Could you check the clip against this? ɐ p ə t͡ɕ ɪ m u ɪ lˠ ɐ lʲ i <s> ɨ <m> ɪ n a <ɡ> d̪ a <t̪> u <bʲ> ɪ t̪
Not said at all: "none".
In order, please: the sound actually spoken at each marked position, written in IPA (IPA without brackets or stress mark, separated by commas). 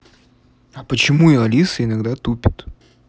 s, none, ɡ, t̪, pʲ